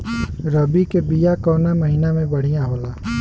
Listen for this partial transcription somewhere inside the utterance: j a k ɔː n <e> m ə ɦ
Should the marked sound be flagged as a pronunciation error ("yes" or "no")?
yes